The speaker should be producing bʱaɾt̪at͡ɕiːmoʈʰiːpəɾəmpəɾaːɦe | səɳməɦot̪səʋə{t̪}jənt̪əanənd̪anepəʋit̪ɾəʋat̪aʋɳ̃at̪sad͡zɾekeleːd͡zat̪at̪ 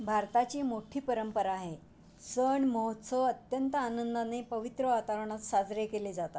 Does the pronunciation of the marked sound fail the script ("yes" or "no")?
no